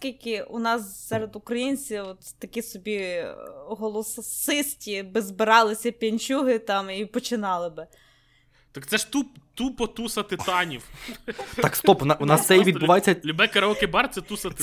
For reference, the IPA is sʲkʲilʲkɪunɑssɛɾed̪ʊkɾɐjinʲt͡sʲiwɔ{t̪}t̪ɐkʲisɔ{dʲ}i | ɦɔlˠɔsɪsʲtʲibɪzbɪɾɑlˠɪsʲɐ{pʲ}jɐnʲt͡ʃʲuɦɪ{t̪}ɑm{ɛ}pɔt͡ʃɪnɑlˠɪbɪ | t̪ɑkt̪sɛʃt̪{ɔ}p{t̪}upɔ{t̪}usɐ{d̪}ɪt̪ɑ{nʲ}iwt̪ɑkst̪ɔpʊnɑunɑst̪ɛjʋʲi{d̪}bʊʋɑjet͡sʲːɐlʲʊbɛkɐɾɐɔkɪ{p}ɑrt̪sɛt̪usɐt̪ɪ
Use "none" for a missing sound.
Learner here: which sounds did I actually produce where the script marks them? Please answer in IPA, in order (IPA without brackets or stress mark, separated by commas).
t̪, bʲ, pʲ, t̪, i, u, t̪, t̪, t̪, nʲ, d̪, b